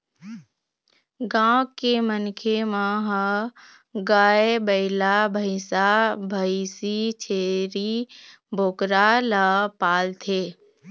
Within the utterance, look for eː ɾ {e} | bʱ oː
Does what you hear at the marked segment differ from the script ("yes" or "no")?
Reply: yes